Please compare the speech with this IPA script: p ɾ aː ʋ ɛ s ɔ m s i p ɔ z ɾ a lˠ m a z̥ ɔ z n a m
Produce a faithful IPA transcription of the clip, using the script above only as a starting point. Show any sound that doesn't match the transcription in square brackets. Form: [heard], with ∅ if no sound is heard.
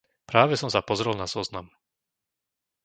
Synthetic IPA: p ɾ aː ʋ ɛ s ɔ m s [a] p ɔ z ɾ [ɛ] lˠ [n] a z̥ ɔ z n a m